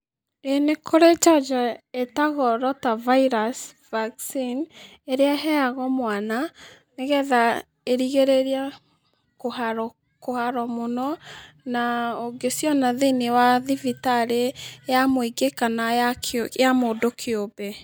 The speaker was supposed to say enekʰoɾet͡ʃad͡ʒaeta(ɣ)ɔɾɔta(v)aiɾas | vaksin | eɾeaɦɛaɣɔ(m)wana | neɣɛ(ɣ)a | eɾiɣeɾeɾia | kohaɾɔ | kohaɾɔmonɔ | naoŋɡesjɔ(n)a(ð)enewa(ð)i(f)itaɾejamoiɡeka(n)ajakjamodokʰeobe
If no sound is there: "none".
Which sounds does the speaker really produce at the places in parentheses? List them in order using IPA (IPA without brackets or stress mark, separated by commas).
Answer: ɣ, v, m, ð, n, ð, ð, v, n